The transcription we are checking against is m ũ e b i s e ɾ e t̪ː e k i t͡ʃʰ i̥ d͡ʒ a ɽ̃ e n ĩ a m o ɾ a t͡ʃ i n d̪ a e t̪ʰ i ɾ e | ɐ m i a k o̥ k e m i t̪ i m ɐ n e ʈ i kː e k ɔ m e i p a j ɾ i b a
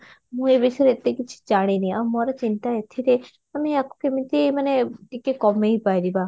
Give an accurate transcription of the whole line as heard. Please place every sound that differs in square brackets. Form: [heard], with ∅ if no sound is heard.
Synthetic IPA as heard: m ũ e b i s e ɾ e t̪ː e k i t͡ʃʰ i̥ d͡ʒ a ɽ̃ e n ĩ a m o ɾ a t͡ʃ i n [t̪] a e t̪ʰ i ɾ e | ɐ m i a k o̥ k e m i t̪ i m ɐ n e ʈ i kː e k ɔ m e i p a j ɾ i b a